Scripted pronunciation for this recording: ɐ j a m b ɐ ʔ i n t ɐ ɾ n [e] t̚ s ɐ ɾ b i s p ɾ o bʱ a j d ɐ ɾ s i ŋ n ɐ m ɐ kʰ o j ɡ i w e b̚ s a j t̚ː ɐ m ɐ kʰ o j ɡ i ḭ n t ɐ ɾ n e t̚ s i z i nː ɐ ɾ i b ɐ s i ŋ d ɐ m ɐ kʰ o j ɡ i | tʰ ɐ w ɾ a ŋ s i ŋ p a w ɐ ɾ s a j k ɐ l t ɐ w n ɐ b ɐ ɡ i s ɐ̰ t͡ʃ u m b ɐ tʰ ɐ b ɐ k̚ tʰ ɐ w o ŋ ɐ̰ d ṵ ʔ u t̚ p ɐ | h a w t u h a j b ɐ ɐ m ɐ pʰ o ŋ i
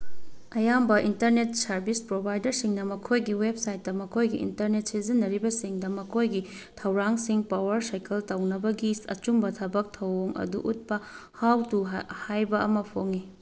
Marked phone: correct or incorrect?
correct